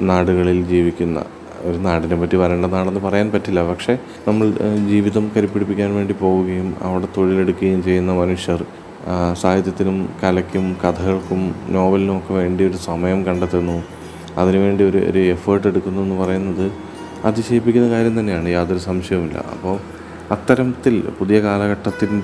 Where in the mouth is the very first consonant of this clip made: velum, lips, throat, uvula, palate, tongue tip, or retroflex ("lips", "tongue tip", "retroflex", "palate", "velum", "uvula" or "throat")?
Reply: tongue tip